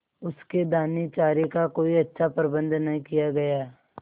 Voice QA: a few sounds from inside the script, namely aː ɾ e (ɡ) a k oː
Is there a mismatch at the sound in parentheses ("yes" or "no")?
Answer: yes